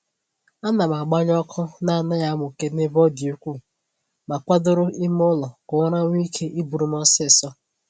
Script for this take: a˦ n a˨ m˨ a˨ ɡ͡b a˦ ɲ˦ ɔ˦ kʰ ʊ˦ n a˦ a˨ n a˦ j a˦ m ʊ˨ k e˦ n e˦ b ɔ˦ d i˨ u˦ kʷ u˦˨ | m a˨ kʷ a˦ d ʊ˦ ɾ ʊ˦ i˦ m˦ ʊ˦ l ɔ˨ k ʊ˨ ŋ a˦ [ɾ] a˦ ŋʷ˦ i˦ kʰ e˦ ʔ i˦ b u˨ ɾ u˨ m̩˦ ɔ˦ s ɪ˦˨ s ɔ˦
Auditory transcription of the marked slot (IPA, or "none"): ɾ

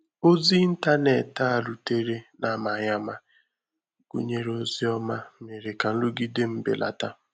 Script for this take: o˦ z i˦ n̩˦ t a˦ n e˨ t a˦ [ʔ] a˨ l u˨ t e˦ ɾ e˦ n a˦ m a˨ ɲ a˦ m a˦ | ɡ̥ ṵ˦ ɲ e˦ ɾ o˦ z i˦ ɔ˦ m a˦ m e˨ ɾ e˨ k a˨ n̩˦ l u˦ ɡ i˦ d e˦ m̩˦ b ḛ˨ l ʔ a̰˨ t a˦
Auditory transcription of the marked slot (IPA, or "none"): none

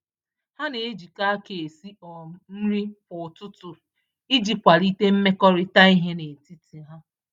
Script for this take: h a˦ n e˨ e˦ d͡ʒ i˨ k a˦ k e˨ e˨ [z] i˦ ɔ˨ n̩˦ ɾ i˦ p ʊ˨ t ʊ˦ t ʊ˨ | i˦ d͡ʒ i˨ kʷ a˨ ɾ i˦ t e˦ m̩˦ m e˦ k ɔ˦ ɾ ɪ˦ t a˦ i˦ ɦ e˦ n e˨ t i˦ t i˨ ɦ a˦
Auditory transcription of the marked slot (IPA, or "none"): s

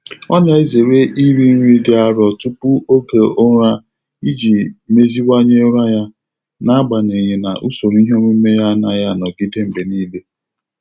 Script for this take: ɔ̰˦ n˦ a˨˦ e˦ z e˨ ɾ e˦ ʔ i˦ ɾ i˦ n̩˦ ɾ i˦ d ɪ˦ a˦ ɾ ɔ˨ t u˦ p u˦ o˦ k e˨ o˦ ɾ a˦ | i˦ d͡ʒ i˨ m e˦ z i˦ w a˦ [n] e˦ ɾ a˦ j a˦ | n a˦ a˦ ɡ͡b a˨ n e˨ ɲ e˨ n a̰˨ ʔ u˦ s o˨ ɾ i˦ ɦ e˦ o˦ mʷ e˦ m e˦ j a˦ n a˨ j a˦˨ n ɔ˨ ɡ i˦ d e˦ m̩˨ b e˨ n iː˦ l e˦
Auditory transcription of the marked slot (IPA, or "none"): ɲ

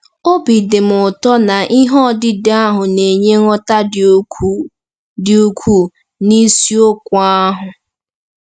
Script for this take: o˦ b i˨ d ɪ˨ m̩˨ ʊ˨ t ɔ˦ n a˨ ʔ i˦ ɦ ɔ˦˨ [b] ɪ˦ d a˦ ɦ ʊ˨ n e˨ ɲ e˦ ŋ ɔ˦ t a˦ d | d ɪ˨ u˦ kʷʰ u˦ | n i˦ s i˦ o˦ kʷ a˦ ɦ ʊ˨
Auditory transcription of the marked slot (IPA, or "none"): d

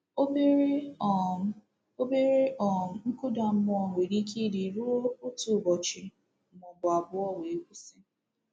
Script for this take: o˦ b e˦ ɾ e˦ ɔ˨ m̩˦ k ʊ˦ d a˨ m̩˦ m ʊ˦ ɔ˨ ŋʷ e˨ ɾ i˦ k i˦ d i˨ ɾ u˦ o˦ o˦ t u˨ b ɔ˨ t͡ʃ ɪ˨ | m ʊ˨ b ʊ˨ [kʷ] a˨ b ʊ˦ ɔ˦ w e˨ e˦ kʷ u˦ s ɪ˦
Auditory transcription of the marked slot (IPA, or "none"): none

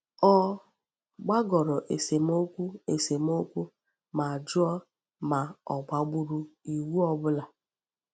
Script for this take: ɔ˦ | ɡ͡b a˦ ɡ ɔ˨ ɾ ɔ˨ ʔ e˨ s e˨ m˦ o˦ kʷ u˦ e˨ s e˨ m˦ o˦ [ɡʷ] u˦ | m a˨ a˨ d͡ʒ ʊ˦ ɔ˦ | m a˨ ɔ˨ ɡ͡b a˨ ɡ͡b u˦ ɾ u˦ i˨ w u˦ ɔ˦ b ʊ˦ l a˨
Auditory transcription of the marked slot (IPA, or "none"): kʷ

